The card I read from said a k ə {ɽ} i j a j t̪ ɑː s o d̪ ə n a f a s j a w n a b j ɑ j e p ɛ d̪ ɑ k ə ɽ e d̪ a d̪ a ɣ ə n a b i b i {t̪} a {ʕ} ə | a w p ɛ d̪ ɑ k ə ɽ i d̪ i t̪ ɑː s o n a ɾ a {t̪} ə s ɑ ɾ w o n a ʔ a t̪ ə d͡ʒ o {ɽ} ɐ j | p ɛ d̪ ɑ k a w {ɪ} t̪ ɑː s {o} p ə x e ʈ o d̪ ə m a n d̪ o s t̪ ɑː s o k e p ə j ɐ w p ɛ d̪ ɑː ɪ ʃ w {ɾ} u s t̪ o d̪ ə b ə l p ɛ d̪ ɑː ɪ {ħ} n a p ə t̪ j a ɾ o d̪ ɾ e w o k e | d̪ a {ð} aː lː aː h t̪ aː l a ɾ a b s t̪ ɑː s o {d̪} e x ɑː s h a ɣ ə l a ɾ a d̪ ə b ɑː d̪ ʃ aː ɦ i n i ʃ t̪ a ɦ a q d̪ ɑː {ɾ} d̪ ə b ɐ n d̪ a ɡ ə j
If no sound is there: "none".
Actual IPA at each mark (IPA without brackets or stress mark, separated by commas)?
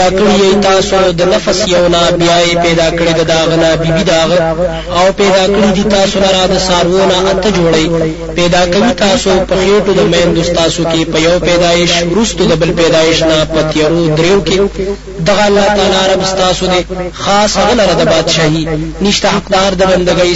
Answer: ɽ, d̪, ɣ, d̪, ɽ, i, o, ɾ, ʃ, ɣ, d̪, ɾ